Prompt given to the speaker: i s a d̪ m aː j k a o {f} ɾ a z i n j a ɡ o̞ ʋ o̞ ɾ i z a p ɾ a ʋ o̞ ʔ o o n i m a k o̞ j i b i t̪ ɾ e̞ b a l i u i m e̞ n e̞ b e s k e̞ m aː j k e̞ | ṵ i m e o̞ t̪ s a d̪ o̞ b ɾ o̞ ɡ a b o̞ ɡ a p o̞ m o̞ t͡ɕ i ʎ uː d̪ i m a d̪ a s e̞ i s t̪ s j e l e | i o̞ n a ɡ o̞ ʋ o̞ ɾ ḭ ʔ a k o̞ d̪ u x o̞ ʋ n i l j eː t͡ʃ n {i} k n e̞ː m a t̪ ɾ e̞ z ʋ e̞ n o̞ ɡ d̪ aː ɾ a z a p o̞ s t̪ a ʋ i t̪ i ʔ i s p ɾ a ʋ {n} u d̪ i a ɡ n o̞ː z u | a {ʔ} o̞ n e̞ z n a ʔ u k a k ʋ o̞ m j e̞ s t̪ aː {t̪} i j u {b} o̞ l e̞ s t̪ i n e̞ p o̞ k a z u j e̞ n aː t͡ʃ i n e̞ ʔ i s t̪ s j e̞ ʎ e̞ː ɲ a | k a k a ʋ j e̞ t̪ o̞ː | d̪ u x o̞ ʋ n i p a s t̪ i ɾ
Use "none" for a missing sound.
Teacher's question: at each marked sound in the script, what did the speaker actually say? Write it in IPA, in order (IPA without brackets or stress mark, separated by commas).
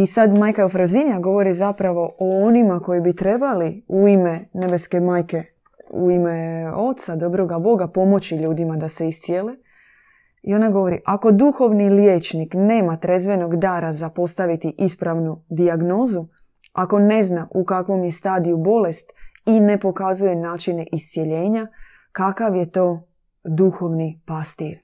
f, i, n, k, d̪, b